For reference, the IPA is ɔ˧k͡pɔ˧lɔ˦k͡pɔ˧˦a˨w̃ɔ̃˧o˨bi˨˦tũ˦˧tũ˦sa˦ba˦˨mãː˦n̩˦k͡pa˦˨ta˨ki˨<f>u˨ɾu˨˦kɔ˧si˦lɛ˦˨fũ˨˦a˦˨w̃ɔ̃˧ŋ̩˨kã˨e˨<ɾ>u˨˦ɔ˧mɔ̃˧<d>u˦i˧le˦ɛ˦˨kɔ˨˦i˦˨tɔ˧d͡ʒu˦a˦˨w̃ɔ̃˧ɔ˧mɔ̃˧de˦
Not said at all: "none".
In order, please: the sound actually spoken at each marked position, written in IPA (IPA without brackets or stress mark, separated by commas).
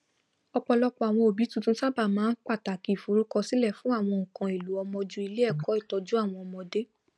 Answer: f, l, d͡ʒ